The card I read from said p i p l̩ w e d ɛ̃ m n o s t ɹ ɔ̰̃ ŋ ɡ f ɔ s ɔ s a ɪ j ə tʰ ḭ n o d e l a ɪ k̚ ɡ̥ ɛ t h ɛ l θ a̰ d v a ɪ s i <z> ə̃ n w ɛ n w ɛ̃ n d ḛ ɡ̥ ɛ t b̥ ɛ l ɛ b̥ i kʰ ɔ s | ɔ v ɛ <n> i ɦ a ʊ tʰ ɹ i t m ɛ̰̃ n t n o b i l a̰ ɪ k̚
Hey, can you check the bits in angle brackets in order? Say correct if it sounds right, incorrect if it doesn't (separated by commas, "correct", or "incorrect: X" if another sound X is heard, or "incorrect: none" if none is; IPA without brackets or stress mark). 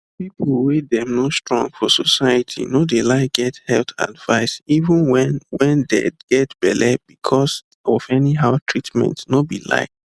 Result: incorrect: v, correct